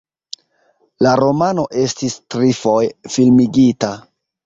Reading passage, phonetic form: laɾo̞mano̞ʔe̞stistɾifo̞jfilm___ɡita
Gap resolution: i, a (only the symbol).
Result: i